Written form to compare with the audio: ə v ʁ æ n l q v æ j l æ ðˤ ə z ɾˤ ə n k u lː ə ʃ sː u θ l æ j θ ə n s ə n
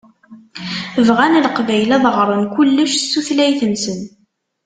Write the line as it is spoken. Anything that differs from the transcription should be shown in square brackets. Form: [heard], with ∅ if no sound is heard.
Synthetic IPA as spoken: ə v ʁ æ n l q v æ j l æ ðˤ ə [ʁ] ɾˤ ə n k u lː ə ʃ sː u θ l æ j θ ə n s ə n